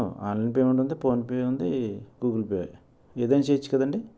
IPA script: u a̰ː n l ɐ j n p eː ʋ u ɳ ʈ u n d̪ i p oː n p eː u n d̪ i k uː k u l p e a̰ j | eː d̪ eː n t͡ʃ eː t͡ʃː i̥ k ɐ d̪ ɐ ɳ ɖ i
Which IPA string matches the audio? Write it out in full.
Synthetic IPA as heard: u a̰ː n l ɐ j n p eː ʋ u ɳ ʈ u n d̪ i p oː n p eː u n d̪ i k uː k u l p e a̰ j | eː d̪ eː n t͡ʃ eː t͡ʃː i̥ k ɐ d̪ ɐ ɳ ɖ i